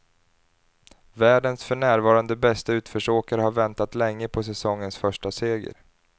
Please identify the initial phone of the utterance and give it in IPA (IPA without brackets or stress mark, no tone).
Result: v